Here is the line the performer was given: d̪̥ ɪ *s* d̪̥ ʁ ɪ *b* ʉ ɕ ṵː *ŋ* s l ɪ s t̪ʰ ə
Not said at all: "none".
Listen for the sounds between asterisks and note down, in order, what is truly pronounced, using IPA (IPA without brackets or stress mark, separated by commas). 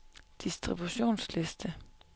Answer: s, b, n